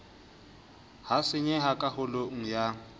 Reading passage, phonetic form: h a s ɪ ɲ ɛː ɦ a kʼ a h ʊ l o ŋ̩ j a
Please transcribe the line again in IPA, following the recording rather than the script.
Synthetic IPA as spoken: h a s ɪ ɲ ɛ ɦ a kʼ a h ʊ l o ŋ̩ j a